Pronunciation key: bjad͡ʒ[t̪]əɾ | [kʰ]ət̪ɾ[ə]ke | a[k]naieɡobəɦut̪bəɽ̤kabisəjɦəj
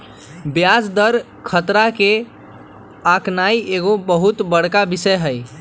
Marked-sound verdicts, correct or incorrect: incorrect, correct, incorrect, correct

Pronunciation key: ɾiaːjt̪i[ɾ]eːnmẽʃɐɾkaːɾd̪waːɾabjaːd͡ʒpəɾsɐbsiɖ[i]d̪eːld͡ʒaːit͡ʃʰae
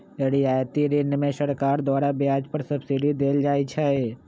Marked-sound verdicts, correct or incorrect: correct, correct

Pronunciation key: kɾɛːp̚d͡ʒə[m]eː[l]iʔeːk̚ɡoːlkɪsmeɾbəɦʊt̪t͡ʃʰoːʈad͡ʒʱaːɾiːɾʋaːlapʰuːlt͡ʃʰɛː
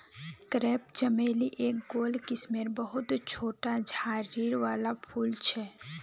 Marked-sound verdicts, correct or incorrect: correct, correct

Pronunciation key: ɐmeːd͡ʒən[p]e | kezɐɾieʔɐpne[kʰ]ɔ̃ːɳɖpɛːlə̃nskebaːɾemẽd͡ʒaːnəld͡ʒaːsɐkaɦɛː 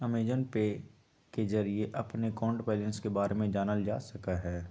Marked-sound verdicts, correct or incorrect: correct, incorrect

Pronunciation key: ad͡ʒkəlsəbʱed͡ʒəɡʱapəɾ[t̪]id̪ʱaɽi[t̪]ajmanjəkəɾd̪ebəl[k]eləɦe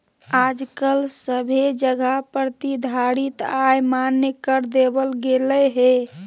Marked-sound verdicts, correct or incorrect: correct, correct, incorrect

